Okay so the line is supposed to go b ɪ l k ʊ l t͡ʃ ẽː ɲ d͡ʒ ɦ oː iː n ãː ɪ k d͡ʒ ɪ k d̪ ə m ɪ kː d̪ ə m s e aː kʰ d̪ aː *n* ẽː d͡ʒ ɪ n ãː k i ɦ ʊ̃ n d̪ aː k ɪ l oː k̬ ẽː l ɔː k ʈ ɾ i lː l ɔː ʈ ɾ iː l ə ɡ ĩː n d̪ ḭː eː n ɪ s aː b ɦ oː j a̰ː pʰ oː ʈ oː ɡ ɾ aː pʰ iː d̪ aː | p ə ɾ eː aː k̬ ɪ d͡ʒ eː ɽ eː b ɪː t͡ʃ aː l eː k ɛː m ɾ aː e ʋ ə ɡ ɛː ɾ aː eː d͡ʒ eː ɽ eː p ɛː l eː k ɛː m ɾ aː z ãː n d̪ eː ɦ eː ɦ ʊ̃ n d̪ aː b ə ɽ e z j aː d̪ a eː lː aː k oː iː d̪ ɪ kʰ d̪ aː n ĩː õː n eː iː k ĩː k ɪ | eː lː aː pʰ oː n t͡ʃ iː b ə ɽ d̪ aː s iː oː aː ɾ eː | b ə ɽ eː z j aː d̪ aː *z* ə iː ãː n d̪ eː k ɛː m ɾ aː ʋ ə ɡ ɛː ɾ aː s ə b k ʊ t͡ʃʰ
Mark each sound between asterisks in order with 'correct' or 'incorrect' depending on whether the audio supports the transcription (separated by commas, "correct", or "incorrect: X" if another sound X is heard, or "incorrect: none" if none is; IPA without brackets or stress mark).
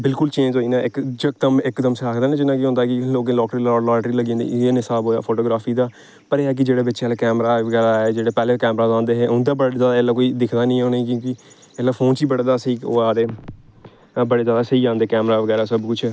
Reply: correct, incorrect: s